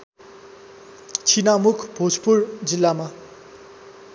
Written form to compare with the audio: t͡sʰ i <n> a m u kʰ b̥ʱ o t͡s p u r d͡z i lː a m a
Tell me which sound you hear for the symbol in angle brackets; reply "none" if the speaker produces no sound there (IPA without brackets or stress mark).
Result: n